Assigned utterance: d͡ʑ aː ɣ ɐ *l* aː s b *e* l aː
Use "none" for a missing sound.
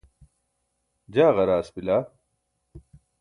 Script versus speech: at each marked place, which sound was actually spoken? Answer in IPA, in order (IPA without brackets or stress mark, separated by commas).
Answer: ɾ, i